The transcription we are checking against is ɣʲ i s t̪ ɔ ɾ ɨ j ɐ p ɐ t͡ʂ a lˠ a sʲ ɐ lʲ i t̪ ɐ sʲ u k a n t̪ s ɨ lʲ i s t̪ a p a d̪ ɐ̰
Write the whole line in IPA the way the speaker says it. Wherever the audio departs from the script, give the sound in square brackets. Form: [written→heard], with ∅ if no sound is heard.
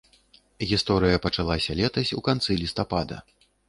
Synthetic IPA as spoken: ɣʲ i s t̪ ɔ ɾ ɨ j ɐ p ɐ t͡ʂ a lˠ a sʲ ɐ lʲ [i→ɛ] t̪ ɐ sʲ u k a n t̪ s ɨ lʲ i s t̪ a p a d̪ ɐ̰